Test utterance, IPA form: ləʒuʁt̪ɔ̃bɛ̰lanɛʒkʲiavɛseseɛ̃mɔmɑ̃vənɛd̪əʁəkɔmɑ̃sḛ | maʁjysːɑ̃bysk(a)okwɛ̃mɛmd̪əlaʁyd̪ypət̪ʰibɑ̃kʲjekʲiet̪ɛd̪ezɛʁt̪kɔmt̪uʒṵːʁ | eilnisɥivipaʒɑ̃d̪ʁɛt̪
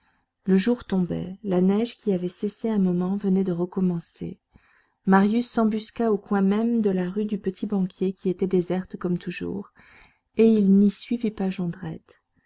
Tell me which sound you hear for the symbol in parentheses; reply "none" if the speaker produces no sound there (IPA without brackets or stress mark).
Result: a